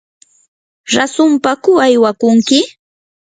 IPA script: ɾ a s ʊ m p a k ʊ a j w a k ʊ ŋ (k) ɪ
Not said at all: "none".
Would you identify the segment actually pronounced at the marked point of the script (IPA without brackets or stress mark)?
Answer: k